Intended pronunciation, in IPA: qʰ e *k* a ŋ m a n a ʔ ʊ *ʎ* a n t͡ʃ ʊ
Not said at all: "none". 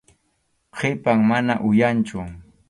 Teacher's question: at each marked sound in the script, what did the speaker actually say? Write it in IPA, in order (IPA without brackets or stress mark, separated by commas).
p, j